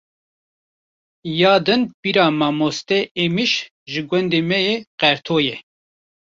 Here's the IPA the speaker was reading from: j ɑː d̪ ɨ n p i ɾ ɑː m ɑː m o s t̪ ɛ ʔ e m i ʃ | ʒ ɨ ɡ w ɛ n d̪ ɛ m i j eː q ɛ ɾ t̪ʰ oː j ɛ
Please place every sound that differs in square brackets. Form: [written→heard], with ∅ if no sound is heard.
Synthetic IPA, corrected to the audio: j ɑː d̪ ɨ n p i ɾ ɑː m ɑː m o s t̪ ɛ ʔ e m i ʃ | ʒ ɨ ɡ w ɛ n d̪ [ɛ→e] m [i→ɛ] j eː q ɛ ɾ t̪ʰ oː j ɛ